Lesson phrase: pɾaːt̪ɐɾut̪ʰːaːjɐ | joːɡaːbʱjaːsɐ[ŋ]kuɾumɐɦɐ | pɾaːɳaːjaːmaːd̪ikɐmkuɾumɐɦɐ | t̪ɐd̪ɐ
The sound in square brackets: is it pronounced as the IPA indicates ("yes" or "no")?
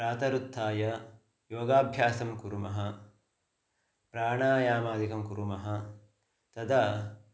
no